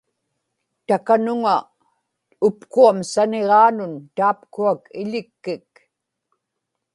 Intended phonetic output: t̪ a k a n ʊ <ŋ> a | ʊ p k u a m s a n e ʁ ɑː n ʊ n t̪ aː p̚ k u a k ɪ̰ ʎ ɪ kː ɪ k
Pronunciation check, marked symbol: correct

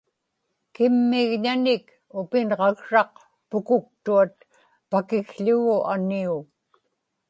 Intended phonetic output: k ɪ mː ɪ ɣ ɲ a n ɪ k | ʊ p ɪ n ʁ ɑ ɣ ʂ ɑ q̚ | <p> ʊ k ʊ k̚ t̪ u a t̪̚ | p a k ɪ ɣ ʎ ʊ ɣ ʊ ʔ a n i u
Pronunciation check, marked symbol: correct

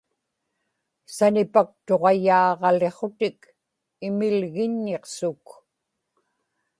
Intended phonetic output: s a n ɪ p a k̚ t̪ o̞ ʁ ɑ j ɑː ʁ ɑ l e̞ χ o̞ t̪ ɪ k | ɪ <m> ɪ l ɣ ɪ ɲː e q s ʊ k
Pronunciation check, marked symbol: correct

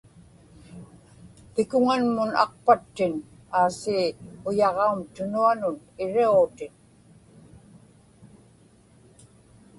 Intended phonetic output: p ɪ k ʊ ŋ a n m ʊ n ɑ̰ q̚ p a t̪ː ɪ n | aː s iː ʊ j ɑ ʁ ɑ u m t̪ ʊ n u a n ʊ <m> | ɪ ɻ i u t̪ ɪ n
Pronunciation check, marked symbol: incorrect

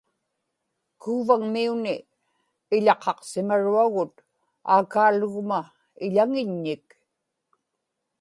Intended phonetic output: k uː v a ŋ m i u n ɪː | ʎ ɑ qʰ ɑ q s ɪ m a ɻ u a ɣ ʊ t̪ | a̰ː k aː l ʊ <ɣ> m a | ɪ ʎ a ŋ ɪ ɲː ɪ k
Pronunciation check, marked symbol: correct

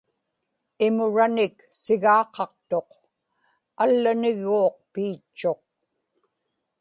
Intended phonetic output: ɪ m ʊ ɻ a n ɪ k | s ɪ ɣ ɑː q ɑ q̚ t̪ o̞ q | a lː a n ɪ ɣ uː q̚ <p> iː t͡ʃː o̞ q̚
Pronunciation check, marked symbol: correct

